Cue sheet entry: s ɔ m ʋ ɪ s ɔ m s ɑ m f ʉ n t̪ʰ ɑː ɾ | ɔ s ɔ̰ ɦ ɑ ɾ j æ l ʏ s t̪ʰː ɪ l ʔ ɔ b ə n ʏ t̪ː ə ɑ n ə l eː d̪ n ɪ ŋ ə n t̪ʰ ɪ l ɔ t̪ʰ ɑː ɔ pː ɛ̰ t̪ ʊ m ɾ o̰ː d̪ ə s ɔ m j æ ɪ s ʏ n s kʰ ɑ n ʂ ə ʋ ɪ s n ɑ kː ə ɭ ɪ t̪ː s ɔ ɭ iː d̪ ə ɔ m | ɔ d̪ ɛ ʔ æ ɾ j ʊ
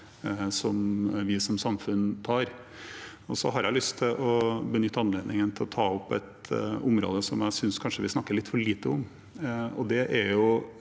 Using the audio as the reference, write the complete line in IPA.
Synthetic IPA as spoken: s ɔ m ʋ ɪ s ɔ m s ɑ m f ʉ n t̪ʰ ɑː ɾ | ɔ s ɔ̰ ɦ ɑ ɾ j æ l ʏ s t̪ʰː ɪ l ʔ ɔ b ə n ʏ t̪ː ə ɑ n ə l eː d̪ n ɪ ŋ ə n t̪ʰ ɪ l ɔ t̪ʰ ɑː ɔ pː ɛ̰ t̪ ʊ m ɾ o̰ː d̪ ə s ɔ m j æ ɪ s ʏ n s kʰ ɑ n ʂ ə ʋ ɪ s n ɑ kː ə ɭ ɪ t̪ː f ɔ ɭ iː t̪ ə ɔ m | ɔ d̪ ɛ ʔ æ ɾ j ʊ

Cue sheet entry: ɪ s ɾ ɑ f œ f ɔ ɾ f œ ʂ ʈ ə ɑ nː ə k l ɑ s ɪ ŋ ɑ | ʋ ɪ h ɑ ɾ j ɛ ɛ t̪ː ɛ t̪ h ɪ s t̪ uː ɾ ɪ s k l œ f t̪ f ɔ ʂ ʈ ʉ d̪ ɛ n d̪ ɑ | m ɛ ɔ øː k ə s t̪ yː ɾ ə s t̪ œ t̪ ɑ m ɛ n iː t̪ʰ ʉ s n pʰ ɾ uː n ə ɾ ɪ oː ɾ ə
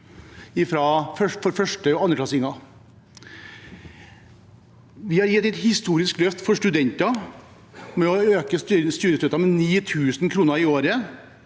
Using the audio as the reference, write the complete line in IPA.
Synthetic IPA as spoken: ɪ f ɾ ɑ f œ f ɔ ɾ f œ ʂ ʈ ə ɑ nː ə k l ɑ s ɪ ŋ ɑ | ʋ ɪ h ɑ ɾ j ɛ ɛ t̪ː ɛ t̪ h ɪ s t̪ uː ɾ ɪ s k l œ f t̪ f ɔ ʂ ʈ ʉ d̪ ɛ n t̪ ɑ | m ɛ ɔ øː k ə s t̪ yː ɾ ə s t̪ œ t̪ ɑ m ɛ n iː t̪ʰ ʉː s n kʰ ɾ uː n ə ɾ ɪ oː ɾ ə

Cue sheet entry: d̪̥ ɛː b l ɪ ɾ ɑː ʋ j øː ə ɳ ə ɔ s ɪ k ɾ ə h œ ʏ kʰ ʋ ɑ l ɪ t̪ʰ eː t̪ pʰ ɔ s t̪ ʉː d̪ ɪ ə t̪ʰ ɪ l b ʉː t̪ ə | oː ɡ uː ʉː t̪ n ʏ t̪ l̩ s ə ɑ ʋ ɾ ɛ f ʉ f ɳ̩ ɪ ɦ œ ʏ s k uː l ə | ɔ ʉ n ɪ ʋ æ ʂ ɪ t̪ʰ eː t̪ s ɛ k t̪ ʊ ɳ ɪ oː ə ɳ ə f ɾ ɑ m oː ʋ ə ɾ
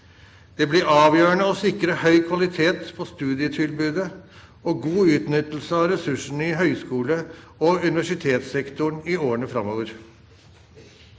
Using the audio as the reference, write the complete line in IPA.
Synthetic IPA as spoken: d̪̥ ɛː b l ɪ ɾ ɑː ʋ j øː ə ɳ ə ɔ s ɪ k ɾ ə h œ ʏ kʰ ʋ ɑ l ɪ t̪ʰ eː t̪ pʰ ɔ s t̪ ʉː d̪ ɪ ə t̪ʰ ɪ l b ʉː d̪ ə | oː ɡ uː ʉː t̪ n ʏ t̪ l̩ s ə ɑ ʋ ɾ ɛ s ʉ ʂ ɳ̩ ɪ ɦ œ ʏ s k uː l ə | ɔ ʉ n ɪ ʋ æ ʂ ɪ t̪ʰ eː t̪ s ɛ k t̪ ʊ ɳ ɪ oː ə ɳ ə f ɾ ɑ m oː ʋ ə ɾ

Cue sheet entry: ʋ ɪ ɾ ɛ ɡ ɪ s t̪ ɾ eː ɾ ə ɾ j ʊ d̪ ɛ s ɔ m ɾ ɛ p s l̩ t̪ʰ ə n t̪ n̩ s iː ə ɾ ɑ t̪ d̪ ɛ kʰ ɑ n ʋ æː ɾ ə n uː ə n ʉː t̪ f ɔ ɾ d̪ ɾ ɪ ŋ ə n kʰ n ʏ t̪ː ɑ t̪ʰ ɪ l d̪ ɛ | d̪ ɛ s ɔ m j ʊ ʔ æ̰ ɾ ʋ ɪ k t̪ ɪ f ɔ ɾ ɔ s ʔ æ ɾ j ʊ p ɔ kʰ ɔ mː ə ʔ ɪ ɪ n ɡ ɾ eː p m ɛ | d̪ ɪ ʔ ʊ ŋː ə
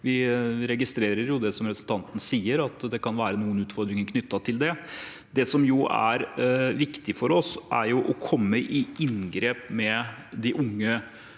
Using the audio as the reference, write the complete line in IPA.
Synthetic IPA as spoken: ʋ ɪ ɾ ɛ ɡ ɪ s t̪ ɾ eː ɾ ə ɾ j ʊ d̪ ɛ s ɔ m ɾ ɛ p s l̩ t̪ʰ ɑ n t̪ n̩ s iː ə ɾ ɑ t̪ d̪ ɛ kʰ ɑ n ʋ æː ɾ ə n uː ə n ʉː t̪ f ɔ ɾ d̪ ɾ ɪ ŋ ə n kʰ n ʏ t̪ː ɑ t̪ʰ ɪ l d̪ ɛ | d̪ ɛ s ɔ m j ʊ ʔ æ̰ ɾ ʋ ɪ k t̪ ɪ f ɔ ɾ ɔ s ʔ æ ɾ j ʊ ʔ ɔ kʰ ɔ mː ə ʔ ɪ ɪ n ɡ ɾ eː p m ɛ | d̪ ɪ ʔ ʊ ŋː ə

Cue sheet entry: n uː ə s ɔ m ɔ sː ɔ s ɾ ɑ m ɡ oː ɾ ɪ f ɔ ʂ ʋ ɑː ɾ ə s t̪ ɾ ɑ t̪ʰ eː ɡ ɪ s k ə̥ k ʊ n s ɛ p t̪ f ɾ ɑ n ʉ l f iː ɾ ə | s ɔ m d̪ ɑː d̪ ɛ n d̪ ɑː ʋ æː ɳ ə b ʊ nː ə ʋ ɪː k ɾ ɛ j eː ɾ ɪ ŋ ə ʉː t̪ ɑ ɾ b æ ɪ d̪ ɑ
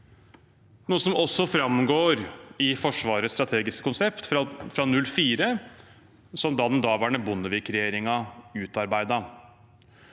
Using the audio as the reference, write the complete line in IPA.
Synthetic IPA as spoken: n uː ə s ɔ m ɔ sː ɔ f ɾ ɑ m ɡ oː ɾ ɪ f ɔ ʂ ʋ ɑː ɾ ə s t̪ ɾ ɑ t̪ʰ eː ɡ ɪ s k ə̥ k ʊ n s ɛ p t̪ f ɾ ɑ n ʉ l f iː ɾ ə | s ɔ m d̪ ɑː d̪ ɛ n d̪ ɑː ʋ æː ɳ ə b ʊ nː ə ʋ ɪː k ɾ ɛ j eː ɾ ɪ ŋ ɑ ʉː t̪ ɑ ɾ b æ ɪ d̪ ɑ

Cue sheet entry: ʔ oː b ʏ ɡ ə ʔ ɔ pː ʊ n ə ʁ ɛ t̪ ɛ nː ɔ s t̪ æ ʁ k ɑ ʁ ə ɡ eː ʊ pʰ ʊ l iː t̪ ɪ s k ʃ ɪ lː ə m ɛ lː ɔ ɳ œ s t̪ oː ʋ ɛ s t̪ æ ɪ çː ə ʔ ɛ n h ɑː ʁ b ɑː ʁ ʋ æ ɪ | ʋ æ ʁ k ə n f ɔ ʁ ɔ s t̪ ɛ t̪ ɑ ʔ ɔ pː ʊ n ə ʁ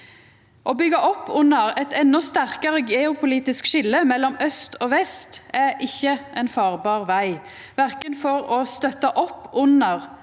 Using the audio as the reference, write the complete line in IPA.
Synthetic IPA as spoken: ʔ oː b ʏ ɡ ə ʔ ɔ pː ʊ n ə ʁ ɛ t̪ ɛ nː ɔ s t̪ æ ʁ k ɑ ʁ ə ɡ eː ʊ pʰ ʊ l iː t̪ ɪ s k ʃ ɪ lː ə m ɛ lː ɔ m œ s t̪ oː ʋ ɛ s t̪ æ ɪ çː ə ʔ ɛ n f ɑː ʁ b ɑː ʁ ʋ æ ɪ | ʋ æ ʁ k ə n f ɔ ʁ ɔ s t̪ œ t̪ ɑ ʔ ɔ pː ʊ n ə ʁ

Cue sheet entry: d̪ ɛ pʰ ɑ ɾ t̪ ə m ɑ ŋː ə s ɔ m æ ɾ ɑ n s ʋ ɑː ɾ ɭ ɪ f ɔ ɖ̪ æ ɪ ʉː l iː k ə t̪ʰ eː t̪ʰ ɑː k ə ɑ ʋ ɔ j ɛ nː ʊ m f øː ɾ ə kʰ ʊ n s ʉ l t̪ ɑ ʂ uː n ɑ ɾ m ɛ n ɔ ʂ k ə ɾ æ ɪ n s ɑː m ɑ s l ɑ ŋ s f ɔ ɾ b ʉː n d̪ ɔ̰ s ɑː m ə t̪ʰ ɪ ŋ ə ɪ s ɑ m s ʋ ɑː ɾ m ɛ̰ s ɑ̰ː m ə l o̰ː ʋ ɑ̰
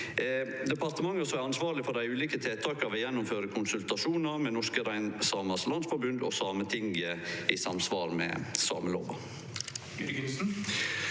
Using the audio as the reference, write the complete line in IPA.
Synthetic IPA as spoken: d̪ ɛ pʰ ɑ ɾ t̪ ə m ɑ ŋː ə s ɔ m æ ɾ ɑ n s ʋ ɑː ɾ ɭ ɪ f ɔ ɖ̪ æ ɪ ʉː l iː k ə t̪ʰ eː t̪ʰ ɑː k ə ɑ ʋ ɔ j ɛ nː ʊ m f øː ɾ ə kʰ ʊ n s ʉ l t̪ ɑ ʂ uː n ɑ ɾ m ɛ n ɔ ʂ k ə ɾ æ ɪ n s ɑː m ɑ s l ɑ n s f ɔ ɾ b ʉ n d̪ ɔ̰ s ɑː m ə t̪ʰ ɪ ŋ ə ɪ s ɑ m s ʋ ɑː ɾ m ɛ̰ s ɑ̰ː m ə l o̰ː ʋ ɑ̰

